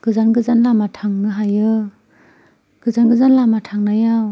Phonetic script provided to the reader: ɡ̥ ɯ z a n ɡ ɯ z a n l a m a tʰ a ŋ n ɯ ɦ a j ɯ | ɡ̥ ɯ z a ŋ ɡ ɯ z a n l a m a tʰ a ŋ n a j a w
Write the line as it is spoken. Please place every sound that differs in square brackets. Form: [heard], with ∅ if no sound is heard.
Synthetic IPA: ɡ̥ ɯ z a n ɡ ɯ z a n l a m a tʰ a ŋ n ɯ ɦ a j ɯ | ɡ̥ ɯ z a [n] ɡ ɯ z a n l a m a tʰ a ŋ n a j a w